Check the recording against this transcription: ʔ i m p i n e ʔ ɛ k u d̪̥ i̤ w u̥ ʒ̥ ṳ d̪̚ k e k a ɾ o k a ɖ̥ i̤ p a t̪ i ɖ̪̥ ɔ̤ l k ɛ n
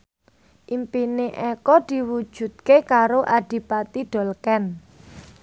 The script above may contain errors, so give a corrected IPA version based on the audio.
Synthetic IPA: ʔ i m p i n e ʔ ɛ k ɔ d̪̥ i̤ w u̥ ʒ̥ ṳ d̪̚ k e k a ɾ o ʔ a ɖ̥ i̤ p a t̪ i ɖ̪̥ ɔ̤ l k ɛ n